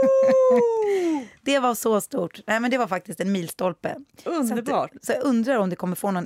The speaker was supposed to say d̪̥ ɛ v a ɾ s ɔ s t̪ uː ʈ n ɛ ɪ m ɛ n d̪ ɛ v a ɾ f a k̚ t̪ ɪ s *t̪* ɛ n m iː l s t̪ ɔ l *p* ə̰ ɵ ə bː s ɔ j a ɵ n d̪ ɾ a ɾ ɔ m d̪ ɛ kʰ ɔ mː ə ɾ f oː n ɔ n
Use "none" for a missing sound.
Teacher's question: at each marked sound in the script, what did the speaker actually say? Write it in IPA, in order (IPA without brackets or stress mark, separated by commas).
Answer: t̪, p